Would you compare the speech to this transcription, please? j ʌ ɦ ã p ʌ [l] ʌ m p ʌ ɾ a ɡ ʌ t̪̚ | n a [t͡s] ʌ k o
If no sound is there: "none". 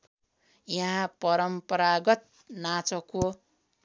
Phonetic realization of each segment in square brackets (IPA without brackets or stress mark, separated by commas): ɾ, t͡s